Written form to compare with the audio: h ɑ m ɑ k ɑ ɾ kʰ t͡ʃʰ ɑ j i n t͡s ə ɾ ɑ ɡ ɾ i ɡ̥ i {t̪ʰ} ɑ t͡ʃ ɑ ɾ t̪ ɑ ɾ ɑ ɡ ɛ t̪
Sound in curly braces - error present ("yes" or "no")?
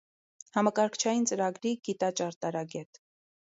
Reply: yes